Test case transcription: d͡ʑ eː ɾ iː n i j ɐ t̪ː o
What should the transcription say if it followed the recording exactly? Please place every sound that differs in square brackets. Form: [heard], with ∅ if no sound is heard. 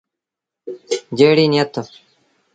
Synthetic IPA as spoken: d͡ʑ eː [ɽ] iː n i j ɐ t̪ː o